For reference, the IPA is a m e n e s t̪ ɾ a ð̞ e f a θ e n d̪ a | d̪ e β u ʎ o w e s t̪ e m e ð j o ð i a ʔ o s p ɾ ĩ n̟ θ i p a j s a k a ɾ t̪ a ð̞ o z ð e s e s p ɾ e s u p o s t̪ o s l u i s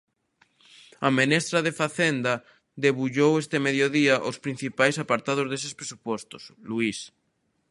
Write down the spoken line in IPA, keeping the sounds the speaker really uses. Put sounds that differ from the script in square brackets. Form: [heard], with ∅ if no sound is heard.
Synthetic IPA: a m e n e s t̪ ɾ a ð̞ e f a θ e n d̪ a | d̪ e β u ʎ o w e s t̪ e m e ð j o ð i a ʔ o s p ɾ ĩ n̟ θ i p a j s a [p] a ɾ t̪ a ð̞ o z ð e s e s p ɾ e s u p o s t̪ o s l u i s